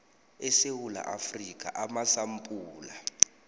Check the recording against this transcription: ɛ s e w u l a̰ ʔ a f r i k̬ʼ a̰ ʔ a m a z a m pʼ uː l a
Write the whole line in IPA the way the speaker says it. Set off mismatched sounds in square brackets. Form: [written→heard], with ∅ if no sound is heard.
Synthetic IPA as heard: ɛ s e w u l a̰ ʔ a f r i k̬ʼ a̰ ʔ a m a [z→s] a m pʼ uː l a

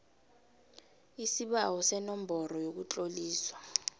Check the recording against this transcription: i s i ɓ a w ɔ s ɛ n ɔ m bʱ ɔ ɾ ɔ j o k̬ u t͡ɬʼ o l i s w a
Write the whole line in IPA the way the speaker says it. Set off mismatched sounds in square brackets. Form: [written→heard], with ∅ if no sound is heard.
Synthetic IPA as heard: i s i ɓ a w ɔ s ɛ n ɔ m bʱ ɔ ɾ ɔ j o k̬ u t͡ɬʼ o l [i→iː] s w a

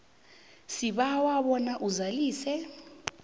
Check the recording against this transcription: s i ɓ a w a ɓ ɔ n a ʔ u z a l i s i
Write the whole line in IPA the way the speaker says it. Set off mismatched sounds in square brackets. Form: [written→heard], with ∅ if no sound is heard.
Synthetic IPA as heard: s i ɓ a w a ɓ ɔ n a ʔ u z a l [i→iː] s [i→ɛ]

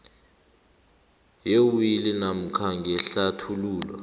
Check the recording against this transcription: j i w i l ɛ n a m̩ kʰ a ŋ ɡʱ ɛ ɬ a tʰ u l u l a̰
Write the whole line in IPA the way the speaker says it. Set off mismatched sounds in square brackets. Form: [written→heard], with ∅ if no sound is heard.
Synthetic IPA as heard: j [i→e] w i l [ɛ→i] n a m̩ kʰ a ŋ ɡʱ ɛ ɬ a tʰ u l [u→uː] l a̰

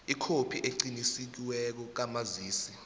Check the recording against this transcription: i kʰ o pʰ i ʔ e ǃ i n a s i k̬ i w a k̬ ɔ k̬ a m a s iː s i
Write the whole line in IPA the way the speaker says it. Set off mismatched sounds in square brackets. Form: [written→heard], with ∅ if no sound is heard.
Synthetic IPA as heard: i kʰ o pʰ i ʔ e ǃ i n [a→i] s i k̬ i w [a→ɛ] k̬ ɔ k̬ a m a [s→z] iː s i

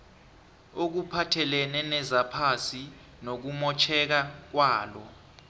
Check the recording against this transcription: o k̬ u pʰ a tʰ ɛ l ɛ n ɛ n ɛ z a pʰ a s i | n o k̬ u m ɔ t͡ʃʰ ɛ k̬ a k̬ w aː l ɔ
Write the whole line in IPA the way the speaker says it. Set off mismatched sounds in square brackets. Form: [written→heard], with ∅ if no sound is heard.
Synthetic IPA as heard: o k̬ u pʰ a tʰ ɛ l ɛ n ɛ n ɛ z a pʰ a s i | n o k̬ u m ɔ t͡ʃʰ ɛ k̬ a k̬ w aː l ɔ

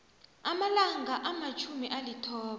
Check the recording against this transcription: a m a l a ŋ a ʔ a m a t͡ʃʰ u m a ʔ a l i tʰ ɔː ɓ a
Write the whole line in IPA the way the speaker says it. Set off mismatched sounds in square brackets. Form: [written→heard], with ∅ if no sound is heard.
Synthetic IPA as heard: a m a l a ŋ a ʔ a m a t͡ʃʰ u m [a→i] ʔ a l i tʰ ɔː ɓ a

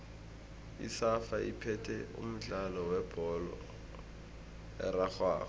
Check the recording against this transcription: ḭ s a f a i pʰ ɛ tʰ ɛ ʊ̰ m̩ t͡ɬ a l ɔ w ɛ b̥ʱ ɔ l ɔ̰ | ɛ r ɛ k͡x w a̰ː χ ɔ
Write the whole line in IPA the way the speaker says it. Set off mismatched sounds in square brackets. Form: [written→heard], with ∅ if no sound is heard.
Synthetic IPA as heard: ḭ s a f a i pʰ ɛ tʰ ɛ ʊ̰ m̩ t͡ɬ a l ɔ w ɛ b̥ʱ ɔ l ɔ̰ | ɛ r [ɛ→a] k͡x w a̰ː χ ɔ

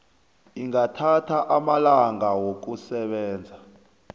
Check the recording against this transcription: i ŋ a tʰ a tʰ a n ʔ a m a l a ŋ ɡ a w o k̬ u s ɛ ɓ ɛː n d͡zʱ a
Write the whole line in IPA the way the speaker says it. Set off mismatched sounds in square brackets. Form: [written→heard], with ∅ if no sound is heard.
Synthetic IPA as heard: i ŋ a tʰ a tʰ a [n→∅] ʔ a m a l a ŋ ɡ a w o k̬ u s ɛ ɓ ɛː n d͡zʱ a

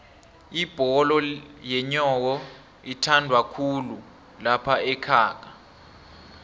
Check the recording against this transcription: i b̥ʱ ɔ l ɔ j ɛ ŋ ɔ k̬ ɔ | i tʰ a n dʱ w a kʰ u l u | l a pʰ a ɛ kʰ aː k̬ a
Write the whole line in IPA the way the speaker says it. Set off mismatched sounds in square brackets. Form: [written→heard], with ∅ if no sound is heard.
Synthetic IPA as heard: i b̥ʱ ɔ l ɔ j ɛ [ŋ→ɲ] ɔ k̬ ɔ | i tʰ a n dʱ w a kʰ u l u | l a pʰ a ɛ kʰ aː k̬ a

